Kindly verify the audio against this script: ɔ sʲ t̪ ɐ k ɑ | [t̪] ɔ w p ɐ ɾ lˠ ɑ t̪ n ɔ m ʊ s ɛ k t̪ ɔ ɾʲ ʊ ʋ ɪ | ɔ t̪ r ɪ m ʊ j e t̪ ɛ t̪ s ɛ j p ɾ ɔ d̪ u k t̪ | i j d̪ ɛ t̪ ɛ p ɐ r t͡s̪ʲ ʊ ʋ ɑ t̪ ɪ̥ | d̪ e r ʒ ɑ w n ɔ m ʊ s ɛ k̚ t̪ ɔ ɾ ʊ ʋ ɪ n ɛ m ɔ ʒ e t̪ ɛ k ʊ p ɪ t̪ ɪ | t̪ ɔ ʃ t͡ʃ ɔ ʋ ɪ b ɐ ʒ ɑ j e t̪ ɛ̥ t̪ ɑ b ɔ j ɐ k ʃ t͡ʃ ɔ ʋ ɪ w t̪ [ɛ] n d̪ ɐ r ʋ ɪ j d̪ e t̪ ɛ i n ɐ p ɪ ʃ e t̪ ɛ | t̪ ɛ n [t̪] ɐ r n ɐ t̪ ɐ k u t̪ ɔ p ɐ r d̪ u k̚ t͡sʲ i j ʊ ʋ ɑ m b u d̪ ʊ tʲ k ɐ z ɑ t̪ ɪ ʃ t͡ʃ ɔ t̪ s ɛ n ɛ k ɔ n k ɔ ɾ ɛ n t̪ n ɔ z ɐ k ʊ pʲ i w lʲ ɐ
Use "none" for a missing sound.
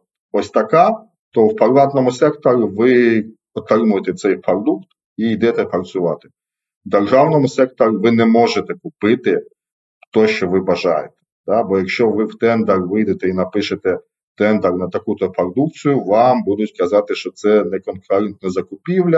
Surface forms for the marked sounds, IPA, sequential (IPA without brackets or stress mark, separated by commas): t̪, ɛ, d̪